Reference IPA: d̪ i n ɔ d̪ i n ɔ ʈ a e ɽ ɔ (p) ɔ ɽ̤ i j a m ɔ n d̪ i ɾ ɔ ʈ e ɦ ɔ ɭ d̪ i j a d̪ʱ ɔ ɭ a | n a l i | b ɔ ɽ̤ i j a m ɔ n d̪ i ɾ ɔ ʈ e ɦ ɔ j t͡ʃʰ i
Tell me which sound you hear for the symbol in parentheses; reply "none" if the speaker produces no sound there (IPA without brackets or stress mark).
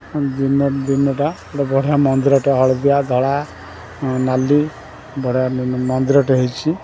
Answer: b